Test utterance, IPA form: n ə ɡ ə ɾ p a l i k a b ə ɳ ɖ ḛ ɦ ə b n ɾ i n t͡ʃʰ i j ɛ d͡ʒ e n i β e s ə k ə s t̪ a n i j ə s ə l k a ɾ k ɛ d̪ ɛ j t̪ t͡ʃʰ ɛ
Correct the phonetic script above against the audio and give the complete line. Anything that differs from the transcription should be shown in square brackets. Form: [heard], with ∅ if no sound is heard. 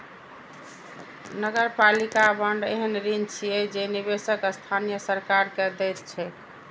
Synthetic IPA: n ə ɡ ə ɾ p a l i k a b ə ɳ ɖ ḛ ɦ ə [∅] n ɾ i n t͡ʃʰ i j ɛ d͡ʒ e n i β e s ə k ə s [t̪ʰ] a n i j ə s ə [ɾ] k a ɾ k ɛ d̪ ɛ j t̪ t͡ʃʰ ɛ